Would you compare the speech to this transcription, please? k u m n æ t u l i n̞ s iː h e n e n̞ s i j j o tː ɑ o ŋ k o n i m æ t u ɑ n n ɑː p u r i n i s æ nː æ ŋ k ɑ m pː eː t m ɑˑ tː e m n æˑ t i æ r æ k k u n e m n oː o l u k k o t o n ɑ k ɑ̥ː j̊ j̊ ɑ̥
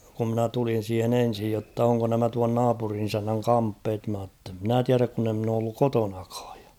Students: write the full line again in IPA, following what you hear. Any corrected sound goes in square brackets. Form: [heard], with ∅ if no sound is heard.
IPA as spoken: k u m n æ t u l i n̞ s iː h e n e n̞ s i j j o tː ɑ o ŋ k o n [æ] m æ t u ɑ n n ɑː p u r i n i s æ nː æ ŋ k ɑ m pː eː t m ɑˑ tː e m n æˑ t i æ r æ k k u n e m n oː o [lː] u k k o t o n ɑ k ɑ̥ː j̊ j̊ ɑ̥